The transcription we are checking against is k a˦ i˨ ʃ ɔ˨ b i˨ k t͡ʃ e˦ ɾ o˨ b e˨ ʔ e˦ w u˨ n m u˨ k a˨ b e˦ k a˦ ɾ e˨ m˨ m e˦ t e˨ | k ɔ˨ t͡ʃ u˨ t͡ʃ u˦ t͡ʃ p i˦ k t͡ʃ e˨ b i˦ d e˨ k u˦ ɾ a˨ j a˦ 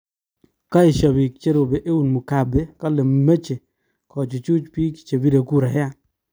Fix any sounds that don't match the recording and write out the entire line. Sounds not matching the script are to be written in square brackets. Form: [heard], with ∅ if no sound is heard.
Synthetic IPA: k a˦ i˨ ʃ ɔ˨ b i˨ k t͡ʃ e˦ ɾ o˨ b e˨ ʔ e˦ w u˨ n m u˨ k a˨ b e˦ k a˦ [l] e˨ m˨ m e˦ [t͡ʃ] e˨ | k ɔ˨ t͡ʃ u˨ t͡ʃ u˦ t͡ʃ p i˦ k t͡ʃ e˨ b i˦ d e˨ k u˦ ɾ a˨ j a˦